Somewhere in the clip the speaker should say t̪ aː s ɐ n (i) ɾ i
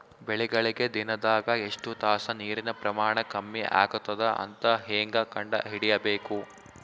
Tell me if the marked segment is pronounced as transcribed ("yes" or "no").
no